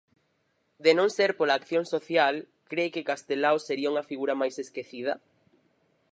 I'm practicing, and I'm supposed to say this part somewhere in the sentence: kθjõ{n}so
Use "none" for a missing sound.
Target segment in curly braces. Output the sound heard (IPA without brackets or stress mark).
ŋ